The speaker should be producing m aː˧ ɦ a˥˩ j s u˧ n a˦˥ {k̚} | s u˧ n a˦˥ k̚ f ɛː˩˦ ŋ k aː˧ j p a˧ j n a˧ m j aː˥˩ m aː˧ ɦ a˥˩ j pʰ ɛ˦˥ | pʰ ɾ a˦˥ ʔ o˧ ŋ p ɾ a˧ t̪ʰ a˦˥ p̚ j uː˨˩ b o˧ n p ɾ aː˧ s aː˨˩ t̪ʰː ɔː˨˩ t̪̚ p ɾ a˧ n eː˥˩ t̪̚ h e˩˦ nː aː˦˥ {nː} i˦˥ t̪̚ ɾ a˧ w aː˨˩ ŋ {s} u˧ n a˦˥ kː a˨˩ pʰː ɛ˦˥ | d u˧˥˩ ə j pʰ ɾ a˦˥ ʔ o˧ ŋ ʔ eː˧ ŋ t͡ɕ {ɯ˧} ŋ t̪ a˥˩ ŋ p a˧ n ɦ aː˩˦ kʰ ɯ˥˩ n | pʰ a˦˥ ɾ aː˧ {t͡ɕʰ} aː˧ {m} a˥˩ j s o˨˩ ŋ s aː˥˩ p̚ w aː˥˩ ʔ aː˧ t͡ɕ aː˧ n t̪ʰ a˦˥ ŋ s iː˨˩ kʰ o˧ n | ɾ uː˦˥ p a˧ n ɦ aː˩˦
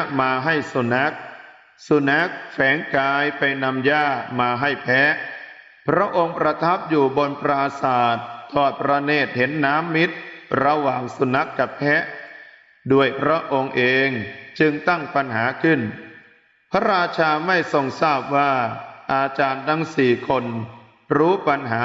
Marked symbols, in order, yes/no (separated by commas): yes, no, yes, yes, yes, yes